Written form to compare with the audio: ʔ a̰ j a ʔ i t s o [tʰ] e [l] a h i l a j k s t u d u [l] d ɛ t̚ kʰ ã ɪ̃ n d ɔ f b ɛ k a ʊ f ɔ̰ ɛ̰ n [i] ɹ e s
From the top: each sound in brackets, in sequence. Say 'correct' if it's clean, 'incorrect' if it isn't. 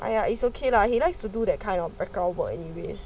incorrect: kʰ, correct, incorrect: none, correct

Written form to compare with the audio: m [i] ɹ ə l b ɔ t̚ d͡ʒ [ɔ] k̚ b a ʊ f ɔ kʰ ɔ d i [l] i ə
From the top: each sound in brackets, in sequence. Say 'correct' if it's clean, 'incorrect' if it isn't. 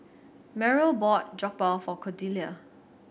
incorrect: ɛ, correct, correct

